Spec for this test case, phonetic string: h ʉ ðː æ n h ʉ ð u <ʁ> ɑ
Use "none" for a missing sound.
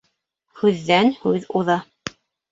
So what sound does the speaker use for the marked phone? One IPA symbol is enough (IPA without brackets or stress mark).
ð